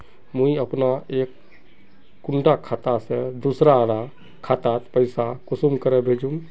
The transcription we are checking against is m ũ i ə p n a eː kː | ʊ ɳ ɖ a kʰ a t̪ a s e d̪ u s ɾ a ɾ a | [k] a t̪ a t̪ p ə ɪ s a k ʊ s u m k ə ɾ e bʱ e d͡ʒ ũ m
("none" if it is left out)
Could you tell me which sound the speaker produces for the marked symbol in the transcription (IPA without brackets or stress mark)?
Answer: kʰ